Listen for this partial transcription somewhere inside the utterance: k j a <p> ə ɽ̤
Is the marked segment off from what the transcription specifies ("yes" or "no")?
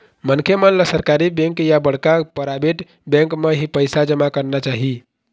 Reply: yes